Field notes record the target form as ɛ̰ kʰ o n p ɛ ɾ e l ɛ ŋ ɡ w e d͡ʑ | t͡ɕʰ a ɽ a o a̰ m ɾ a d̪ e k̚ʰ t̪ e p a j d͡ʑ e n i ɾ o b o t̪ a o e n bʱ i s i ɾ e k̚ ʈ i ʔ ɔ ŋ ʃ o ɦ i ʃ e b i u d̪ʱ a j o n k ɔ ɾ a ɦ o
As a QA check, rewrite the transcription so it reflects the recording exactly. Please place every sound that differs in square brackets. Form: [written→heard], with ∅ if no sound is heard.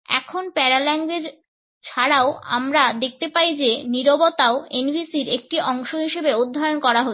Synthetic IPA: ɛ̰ kʰ o n p ɛ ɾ [e→a] l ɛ ŋ ɡ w e d͡ʑ | t͡ɕʰ a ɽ a o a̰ m ɾ a d̪ e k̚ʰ t̪ e p a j d͡ʑ e n i ɾ o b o t̪ a o e n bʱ i s i ɾ e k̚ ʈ i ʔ ɔ ŋ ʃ o ɦ i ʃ e b [i→e] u [d̪ʱ→d̪ʱː] a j o n k ɔ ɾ a ɦ o

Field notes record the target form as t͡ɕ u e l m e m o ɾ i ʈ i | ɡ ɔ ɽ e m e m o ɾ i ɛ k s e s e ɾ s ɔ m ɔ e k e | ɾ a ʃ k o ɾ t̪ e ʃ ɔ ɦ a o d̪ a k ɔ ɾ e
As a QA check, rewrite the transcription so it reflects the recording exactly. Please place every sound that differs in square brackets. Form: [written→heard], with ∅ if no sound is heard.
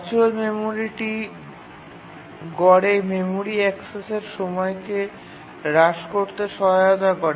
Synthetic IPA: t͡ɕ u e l m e m o ɾ i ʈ i | ɡ ɔ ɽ e m e m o ɾ i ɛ k s e s e ɾ [s→ʃ] ɔ m ɔ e k e | ɾ a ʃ k o ɾ t̪ e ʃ ɔ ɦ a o d̪ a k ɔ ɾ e

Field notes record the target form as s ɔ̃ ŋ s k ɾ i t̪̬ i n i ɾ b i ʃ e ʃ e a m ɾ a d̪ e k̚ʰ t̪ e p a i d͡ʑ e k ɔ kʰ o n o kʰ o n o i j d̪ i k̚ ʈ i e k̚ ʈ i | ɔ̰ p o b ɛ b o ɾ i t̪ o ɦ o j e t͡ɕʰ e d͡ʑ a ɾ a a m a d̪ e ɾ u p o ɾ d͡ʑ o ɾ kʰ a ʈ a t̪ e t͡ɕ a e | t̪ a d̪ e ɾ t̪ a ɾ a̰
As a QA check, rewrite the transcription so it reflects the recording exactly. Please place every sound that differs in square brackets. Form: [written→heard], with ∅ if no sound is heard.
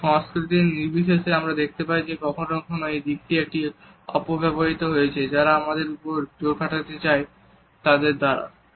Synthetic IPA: [s→ʃ] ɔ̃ ŋ s k ɾ i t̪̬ i n i ɾ b i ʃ e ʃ e a m ɾ a d̪ e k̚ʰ t̪ e p a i d͡ʑ e k ɔ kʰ o n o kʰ o n o [i→e] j d̪ i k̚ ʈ i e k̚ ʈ i | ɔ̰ p o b ɛ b o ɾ i t̪ o ɦ o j e t͡ɕʰ e d͡ʑ a ɾ a a m a d̪ e ɾ u p o ɾ d͡ʑ o ɾ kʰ a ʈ a t̪ e t͡ɕ a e | t̪ a d̪ e ɾ [t̪→d̪] a ɾ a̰

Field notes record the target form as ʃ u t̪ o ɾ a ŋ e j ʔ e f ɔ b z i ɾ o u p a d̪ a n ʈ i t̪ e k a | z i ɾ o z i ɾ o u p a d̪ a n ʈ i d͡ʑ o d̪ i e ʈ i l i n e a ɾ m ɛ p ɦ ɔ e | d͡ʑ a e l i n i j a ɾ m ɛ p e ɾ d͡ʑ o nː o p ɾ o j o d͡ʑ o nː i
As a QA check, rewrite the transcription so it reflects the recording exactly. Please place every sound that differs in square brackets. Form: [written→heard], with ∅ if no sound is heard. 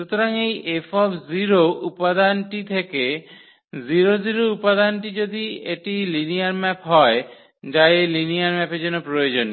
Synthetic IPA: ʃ u t̪ o ɾ a ŋ e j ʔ e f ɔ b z i ɾ o u p a d̪ a n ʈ i [t̪→t̪ʰ] e k [a→e] | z i ɾ o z i ɾ o u p a d̪ a n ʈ i d͡ʑ o d̪ i e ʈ i l i n [e→i] a ɾ m ɛ p ɦ ɔ e | d͡ʑ a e l i n i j a ɾ m ɛ p e ɾ d͡ʑ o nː o p ɾ o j o d͡ʑ o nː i

